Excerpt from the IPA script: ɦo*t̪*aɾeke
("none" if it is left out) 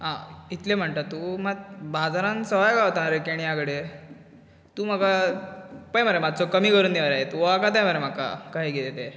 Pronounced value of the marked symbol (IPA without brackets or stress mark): t̪